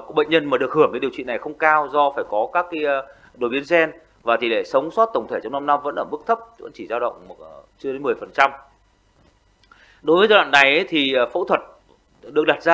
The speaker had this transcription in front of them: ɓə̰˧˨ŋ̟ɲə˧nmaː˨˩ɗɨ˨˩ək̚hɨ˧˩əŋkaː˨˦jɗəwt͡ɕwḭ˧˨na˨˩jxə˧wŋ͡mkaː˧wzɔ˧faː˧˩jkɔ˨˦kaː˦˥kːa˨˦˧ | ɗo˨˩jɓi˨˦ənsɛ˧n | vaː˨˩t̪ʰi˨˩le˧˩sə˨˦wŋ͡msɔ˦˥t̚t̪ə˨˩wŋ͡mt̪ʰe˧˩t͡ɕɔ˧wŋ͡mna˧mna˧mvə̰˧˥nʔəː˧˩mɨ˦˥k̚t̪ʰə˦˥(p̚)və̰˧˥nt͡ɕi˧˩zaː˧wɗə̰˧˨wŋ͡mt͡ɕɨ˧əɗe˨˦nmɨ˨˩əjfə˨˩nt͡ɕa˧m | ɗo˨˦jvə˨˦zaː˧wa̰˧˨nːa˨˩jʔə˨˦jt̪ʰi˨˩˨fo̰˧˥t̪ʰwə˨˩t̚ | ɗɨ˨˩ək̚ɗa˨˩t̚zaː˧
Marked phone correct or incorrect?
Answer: correct